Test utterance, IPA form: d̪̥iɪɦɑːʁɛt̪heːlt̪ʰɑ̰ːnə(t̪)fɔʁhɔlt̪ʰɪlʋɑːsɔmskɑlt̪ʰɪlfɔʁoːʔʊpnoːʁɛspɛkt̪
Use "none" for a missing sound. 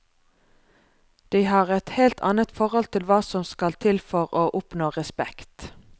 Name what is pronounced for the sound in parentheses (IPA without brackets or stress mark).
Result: t̪